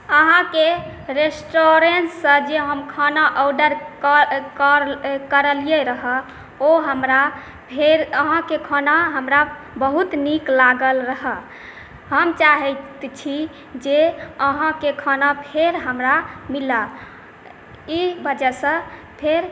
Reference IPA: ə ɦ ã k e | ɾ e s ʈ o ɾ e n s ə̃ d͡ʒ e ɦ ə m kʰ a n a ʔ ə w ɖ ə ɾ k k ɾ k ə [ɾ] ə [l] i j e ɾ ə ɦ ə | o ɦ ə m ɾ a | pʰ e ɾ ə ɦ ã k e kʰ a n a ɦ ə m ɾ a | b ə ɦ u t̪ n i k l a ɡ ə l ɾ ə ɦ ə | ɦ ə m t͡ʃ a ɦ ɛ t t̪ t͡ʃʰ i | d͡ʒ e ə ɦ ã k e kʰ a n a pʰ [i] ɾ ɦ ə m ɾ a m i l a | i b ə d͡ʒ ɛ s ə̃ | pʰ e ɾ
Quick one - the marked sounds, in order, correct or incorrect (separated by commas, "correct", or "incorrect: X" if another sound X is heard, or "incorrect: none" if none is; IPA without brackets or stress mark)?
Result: correct, correct, incorrect: e